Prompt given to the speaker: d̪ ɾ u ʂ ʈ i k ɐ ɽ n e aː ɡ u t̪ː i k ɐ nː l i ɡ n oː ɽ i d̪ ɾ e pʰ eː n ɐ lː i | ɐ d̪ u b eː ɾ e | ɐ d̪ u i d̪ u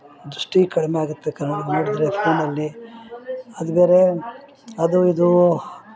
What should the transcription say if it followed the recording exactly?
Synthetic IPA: d̪ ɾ u ʂ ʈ i k ɐ ɽ m e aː ɡ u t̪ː e k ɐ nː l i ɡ n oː ɽ i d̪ ɾ e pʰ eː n ɐ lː i | ɐ d̪ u b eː ɾ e | ɐ d̪ u i d̪ u

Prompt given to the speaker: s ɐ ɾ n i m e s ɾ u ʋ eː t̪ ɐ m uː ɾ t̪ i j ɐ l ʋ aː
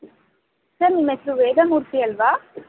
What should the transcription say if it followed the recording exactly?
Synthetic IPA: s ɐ ɾ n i m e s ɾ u ʋ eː d̪ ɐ m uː ɾ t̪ i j ɐ l ʋ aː

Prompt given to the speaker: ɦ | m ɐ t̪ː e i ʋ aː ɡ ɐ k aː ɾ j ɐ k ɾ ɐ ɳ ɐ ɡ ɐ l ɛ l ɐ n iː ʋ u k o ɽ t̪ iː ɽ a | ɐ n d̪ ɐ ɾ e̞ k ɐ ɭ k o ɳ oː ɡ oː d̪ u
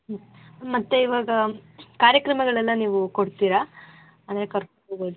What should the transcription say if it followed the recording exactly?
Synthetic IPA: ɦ | m ɐ t̪ː e i ʋ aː ɡ ɐ k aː ɾ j ɐ k ɾ ɐ m ɐ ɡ ɐ ɭ ɛ lː ɐ n iː ʋ u k o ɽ t̪ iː ɾ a | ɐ n d̪ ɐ ɾ e̞ k ɐ ɾ k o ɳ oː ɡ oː d̪ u

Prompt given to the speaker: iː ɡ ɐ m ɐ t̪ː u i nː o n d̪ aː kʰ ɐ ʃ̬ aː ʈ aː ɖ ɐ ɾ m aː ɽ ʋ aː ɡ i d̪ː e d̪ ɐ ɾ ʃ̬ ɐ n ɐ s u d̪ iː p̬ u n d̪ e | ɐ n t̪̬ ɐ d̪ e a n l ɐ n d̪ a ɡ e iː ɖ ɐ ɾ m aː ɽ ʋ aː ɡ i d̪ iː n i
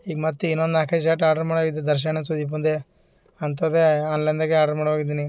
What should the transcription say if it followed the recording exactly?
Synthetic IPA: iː ɡ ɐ m ɐ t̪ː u i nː o n d̪ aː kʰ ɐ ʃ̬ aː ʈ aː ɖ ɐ ɾ m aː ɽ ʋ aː ɡ i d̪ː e d̪ ɐ ɾ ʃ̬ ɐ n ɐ s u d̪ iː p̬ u n d̪ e | ɐ n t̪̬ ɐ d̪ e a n l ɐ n d̪ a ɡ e aː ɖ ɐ ɾ m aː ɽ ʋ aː ɡ i d̪ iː n i

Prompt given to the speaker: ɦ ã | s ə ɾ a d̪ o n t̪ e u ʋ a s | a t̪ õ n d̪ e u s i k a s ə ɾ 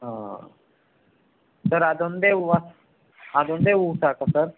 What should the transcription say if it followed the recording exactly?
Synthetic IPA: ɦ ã | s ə ɾ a d̪ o n d̪ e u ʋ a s | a d̪ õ n d̪ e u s a k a s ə ɾ

